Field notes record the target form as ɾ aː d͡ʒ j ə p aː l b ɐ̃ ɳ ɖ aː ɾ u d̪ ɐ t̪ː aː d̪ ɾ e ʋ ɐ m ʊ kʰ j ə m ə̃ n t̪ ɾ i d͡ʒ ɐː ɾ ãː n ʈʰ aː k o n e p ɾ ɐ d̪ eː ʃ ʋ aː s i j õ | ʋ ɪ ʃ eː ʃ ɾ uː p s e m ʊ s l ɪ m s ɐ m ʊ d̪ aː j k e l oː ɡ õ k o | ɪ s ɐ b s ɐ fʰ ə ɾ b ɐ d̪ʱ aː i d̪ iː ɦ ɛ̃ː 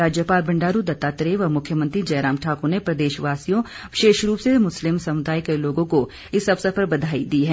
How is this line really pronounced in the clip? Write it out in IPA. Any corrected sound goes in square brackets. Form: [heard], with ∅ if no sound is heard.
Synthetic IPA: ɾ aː d͡ʒ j ə p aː l b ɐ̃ ɳ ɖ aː ɾ u d̪ ɐ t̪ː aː [t̪] ɾ e ʋ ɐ m ʊ kʰ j ə m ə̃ n t̪ ɾ i d͡ʒ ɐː ɾ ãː [m] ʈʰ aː k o n e p ɾ ɐ d̪ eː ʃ ʋ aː s i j õ | ʋ ɪ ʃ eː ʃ ɾ uː p s e m ʊ s l ɪ m s ɐ m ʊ d̪ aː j k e l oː ɡ õ k o | ɪ s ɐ b s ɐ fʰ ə ɾ b ɐ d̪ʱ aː i d̪ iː ɦ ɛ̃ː